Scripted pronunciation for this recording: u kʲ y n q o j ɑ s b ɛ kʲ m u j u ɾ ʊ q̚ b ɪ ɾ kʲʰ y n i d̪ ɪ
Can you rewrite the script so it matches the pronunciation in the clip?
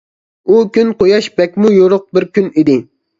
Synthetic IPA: u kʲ y n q o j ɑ ʃ b ɛ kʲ m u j o ɾ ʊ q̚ b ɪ ɾ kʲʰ y n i d̪ ɪ